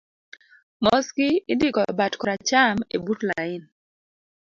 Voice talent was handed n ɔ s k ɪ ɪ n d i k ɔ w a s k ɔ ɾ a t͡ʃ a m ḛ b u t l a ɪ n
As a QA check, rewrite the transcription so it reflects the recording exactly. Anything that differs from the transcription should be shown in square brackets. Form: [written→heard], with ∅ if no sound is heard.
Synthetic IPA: [n→m] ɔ s k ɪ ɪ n d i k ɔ [w→b] a [s→t] k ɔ ɾ a t͡ʃ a m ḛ b u t l a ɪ n